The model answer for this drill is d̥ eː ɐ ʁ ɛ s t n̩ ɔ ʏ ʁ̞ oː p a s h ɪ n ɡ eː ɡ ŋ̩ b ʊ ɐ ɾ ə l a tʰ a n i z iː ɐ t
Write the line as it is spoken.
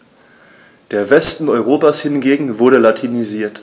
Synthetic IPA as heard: d̥ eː ɐ v ɛ s t n̩ ɔ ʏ ʁ̞ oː p a s h ɪ n ɡ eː ɡ ŋ̩ v ʊ ɐ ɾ ə l a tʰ i n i z iː ɐ t

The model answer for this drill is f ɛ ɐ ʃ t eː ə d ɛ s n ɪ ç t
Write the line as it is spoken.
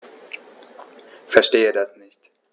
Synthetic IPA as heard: f ɛ ɐ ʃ t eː ə d a s n ɪ ç t

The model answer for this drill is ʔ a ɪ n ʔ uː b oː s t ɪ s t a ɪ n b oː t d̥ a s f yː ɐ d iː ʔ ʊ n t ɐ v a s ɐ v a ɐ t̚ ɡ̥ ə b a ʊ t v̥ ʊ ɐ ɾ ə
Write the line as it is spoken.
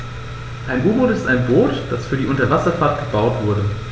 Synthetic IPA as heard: ʔ a ɪ n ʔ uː b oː t ɪ s t a ɪ n b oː t d̥ a s f yː ɐ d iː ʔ ʊ n t ɐ v a s ɐ f a ɐ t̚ ɡ̥ ə b a ʊ t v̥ ʊ ɐ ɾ ə

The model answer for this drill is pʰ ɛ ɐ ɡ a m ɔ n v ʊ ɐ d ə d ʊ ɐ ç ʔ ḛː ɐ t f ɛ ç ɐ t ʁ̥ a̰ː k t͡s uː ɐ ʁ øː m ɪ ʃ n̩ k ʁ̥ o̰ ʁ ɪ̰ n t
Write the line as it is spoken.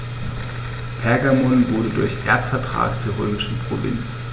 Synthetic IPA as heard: pʰ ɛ ɐ ɡ a m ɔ n v ʊ ɐ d ə d ʊ ɐ ç ʔ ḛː ɐ t f ɛ ɐ t ʁ̥ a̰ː k t͡s uː ɐ ʁ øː m ɪ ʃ n̩ p ʁ̥ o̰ v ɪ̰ n t͡s

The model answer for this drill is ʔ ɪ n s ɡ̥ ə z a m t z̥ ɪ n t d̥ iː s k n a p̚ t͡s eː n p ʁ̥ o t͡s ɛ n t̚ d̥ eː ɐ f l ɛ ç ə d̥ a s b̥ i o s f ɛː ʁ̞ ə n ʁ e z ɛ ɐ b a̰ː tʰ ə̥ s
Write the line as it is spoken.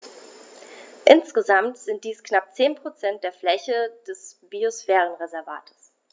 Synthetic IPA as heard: ʔ ɪ n s ɡ̥ ə z a m t z̥ ɪ n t d̥ iː s k n a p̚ t͡s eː n p ʁ̥ o t͡s ɛ n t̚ d̥ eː ɐ f l ɛ ç ə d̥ ɛ s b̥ i o s f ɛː ʁ̞ ə n ʁ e z ɛ ɐ v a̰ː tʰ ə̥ s

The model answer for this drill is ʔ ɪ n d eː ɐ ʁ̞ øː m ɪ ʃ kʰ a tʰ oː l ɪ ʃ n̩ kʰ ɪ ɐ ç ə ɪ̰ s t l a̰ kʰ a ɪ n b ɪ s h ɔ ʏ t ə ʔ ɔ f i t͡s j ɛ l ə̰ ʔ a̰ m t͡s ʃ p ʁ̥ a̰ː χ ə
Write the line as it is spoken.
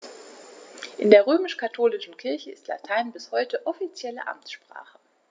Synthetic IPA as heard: ʔ ɪ n d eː ɐ ʁ̞ øː m ɪ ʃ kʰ a tʰ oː l ɪ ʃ n̩ kʰ ɪ ɐ ç ə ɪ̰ s t l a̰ tʰ a ɪ n b ɪ s h ɔ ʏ t ə ʔ ɔ f i t͡s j ɛ l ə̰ ʔ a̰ m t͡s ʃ p ʁ̥ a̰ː χ ə

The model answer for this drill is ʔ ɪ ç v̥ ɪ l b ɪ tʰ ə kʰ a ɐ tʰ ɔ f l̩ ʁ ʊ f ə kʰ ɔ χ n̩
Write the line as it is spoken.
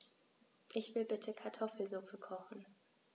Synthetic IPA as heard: ʔ ɪ ç v̥ ɪ l b ɪ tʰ ə kʰ a ɐ tʰ ɔ f l̩ z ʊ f ə kʰ ɔ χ n̩

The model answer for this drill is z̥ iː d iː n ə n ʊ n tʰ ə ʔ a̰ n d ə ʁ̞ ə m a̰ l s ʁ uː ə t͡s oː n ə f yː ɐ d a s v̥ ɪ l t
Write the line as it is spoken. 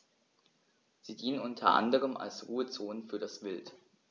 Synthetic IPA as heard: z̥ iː d iː n ə n ʊ n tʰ ɐ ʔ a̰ n d ə ʁ̞ ə m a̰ l s ʁ uː ə t͡s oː n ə f yː ɐ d a s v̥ ɪ l t

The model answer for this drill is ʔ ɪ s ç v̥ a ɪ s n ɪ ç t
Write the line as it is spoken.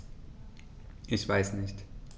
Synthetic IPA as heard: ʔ ɪ ç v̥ a ɪ s n ɪ ç t

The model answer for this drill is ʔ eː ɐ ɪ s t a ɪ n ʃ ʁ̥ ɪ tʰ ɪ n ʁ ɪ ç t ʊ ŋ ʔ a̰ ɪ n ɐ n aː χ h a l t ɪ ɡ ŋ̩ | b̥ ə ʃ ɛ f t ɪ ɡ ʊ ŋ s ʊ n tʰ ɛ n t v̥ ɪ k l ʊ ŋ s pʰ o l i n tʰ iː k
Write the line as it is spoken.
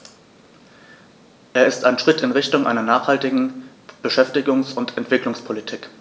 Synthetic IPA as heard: ʔ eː ɐ ɪ s t a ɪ n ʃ ʁ̥ ɪ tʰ ɪ n ʁ ɪ ç t ʊ ŋ ʔ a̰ ɪ n ɐ n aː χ h a l t ɪ ɡ ŋ̩ | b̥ ə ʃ ɛ f t ɪ ɡ ʊ ŋ s ʊ n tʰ ɛ n t v̥ ɪ k l ʊ ŋ s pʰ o l i tʰ iː k

